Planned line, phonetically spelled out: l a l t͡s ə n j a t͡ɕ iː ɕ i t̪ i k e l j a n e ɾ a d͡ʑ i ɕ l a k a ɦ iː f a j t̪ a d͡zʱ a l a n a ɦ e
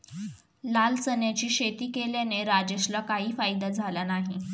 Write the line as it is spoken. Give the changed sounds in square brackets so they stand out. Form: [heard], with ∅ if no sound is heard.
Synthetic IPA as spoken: l a l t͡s ə n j a t͡ɕ iː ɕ [e] t̪ [iː] k e l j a n e ɾ a d͡ʑ [e] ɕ l a k a ɦ iː f a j [d̪] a d͡zʱ a l a n a ɦ [i]